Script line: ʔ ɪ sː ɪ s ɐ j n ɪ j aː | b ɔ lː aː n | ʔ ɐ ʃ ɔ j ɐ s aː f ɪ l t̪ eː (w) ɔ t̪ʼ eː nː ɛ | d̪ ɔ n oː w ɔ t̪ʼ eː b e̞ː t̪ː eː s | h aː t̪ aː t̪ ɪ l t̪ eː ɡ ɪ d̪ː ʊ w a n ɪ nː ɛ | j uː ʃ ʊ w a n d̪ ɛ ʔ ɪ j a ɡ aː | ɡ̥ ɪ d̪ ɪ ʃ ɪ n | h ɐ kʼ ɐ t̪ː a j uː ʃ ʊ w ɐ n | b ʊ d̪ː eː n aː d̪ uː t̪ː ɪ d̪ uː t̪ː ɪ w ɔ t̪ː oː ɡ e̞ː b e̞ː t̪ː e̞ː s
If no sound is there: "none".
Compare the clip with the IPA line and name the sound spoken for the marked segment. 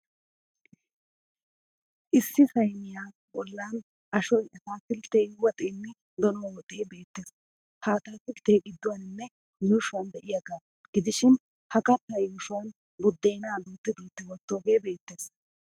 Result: w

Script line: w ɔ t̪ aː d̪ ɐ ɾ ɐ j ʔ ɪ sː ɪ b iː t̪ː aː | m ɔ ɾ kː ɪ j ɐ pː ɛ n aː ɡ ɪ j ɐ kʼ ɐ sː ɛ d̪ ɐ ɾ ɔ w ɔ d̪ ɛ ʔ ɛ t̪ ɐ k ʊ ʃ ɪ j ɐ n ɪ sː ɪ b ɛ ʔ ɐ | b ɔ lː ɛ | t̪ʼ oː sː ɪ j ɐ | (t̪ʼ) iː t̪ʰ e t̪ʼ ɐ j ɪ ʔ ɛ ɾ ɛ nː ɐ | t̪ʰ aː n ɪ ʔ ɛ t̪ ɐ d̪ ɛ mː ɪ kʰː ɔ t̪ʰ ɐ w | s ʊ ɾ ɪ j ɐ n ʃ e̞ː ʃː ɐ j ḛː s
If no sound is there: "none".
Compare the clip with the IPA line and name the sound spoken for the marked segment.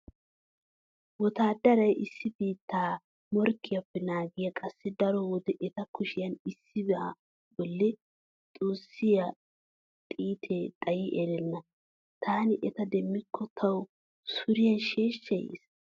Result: t̪ʼ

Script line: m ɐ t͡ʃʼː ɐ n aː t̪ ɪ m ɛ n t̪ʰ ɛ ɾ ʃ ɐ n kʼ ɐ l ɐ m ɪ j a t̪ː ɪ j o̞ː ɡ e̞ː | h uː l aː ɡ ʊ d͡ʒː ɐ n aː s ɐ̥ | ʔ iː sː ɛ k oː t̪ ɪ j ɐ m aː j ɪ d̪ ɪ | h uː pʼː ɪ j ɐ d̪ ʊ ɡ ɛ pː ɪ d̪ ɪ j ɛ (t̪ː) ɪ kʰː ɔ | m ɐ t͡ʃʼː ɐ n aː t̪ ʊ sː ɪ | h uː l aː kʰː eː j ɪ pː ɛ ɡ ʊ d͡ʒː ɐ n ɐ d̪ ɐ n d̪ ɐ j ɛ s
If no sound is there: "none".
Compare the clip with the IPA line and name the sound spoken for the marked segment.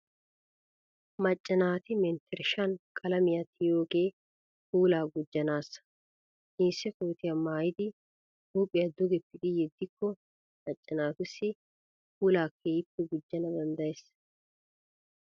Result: d̪ː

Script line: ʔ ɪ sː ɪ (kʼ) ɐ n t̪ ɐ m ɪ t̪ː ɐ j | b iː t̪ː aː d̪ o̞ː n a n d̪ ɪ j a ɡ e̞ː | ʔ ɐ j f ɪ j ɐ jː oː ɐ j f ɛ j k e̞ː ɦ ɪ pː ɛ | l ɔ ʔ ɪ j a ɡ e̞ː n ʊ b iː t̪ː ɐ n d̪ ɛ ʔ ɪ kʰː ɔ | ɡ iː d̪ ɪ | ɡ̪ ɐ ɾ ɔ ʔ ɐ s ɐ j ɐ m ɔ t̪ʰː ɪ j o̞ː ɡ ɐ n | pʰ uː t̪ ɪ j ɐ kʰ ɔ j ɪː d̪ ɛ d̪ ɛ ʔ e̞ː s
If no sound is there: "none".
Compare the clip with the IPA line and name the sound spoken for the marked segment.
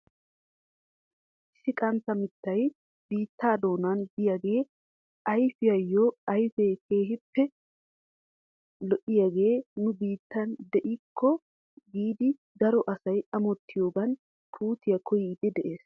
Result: kʼ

